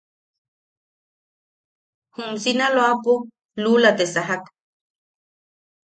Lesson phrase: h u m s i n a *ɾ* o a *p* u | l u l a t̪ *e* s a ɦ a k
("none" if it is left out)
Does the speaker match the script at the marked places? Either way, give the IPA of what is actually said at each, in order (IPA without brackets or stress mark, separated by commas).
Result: l, p, e